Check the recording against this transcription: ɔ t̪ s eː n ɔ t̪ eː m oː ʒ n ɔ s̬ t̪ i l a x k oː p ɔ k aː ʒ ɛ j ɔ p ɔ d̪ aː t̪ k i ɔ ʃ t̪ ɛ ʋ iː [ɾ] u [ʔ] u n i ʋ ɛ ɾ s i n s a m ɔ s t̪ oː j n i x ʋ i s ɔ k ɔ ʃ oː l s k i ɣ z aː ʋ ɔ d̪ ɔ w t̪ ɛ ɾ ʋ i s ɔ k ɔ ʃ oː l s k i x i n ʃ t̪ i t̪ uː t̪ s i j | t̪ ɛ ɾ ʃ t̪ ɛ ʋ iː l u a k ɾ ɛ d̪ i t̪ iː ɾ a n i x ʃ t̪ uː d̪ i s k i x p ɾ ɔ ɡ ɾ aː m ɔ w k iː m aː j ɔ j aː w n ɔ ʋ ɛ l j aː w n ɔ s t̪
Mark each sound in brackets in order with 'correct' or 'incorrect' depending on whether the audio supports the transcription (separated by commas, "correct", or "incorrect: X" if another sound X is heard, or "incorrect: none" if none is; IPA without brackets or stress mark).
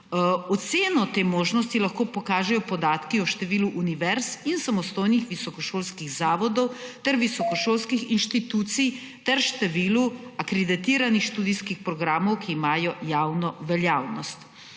incorrect: l, correct